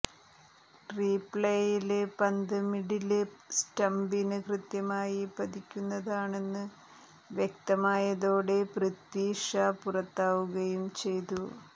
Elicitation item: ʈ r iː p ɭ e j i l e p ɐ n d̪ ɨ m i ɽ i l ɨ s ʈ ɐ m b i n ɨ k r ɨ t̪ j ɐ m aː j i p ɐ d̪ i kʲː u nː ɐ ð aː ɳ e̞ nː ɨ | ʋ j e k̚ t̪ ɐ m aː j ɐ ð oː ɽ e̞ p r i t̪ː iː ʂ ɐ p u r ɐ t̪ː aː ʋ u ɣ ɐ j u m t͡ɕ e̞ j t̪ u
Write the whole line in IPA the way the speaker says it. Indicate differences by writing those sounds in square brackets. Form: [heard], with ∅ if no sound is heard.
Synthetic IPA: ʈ r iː p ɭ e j i l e p ɐ n d̪ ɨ m i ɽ i l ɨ s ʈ ɐ m b i n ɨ k r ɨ t̪ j ɐ m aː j i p ɐ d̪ i kʲː u nː ɐ ð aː ɳ e̞ nː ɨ | ʋ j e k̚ t̪ ɐ m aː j ɐ ð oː ɽ e̞ p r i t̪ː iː ʂ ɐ p u r ɐ t̪ː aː ʋ u ɣ ɐ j u m t͡ɕ e̞ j t̪ u